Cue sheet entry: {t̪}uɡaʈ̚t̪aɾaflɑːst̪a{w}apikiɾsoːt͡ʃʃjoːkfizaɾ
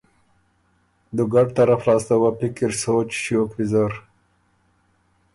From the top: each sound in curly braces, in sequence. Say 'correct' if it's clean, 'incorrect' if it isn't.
incorrect, correct

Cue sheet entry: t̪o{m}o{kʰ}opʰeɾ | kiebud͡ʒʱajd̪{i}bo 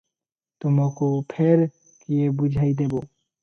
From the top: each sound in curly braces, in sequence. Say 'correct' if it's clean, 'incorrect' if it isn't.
correct, incorrect, incorrect

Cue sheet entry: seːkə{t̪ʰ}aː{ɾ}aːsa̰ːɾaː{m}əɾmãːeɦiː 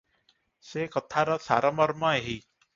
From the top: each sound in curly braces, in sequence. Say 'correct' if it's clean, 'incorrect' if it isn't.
correct, correct, correct

